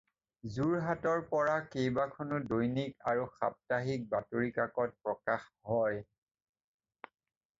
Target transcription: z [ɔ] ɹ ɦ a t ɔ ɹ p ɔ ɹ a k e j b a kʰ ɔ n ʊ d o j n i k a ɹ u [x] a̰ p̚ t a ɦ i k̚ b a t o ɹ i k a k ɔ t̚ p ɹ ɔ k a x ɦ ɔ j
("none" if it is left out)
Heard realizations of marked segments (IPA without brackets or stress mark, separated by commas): u, x